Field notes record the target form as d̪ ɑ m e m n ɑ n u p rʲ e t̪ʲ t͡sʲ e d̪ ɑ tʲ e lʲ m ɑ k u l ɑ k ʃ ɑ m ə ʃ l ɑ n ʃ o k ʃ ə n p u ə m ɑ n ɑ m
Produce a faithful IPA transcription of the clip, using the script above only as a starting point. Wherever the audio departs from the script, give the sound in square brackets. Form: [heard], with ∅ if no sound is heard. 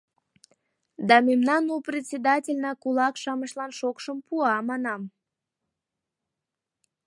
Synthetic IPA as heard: d̪ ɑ m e m n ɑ n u p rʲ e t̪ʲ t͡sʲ e d̪ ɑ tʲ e lʲ [n] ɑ k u l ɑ k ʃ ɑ m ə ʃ l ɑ n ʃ o k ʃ ə [m] p u [ɑ] m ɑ n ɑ m